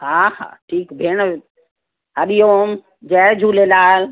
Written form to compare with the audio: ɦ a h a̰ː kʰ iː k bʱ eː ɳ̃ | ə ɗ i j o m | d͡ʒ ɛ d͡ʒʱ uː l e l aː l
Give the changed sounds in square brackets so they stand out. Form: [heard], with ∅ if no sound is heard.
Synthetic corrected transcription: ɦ a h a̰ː [ʈʰ] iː k bʱ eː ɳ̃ | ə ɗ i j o m | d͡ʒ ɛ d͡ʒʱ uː l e l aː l